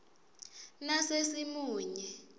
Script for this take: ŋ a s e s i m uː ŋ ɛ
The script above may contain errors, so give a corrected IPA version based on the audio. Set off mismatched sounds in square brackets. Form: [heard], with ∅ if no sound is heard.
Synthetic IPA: [n] a s e s i m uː [ɲ] ɛ